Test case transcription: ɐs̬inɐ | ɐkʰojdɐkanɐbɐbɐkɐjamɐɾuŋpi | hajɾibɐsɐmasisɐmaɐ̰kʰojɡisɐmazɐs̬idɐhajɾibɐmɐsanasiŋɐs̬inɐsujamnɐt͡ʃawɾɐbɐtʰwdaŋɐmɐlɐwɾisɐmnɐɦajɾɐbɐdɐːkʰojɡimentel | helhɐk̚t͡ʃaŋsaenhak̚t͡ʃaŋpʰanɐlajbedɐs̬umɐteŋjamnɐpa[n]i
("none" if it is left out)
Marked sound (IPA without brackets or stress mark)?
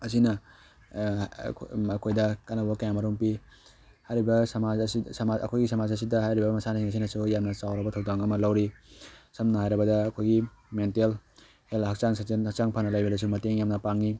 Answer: ŋ